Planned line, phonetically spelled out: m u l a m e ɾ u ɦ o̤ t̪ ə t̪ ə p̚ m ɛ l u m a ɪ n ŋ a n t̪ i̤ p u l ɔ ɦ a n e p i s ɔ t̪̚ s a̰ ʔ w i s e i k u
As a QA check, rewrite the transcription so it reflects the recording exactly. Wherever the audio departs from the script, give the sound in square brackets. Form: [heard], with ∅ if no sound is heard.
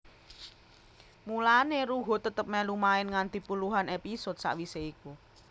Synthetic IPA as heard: m u l a [n] e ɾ u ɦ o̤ t̪ ə t̪ ə p̚ m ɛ l u m a ɪ n ŋ a n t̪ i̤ p u l [u] ɦ a n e p i s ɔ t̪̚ s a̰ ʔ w i s e i k u